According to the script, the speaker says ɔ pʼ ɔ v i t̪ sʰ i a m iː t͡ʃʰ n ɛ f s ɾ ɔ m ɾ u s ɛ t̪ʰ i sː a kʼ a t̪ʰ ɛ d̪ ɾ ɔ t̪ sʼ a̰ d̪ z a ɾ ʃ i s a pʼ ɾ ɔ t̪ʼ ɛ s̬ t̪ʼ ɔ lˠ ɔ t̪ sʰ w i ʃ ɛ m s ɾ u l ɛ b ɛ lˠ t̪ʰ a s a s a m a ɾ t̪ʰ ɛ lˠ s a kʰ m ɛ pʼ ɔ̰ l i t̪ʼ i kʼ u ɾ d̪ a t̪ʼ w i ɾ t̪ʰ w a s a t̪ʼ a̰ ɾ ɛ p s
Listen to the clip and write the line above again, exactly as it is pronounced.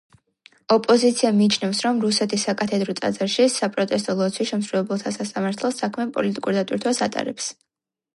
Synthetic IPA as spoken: ɔ pʼ ɔ z i t̪ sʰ i a m iː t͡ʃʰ n ɛ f s ɾ ɔ m ɾ u s ɛ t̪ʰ i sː a kʼ a t̪ʰ ɛ d̪ ɾ ɔ t̪ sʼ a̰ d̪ z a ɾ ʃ i s a pʼ ɾ ɔ t̪ʼ ɛ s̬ t̪ʼ ɔ lˠ ɔ t̪ sʰ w i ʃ ɛ m s ɾ u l ɛ b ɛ lˠ t̪ʰ a s a s a m a ɾ t̪ʰ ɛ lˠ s a kʰ m ɛ pʼ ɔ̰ l i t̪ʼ i kʼ u ɾ d̪ a t̪ʼ w i ɾ t̪ʰ w a s a t̪ʼ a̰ ɾ ɛ p s